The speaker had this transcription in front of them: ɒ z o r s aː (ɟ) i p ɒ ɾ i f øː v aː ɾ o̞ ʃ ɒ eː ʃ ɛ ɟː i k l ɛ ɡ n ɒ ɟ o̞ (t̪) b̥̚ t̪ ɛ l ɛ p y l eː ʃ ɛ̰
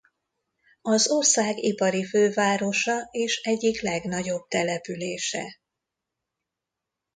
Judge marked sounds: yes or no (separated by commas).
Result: no, no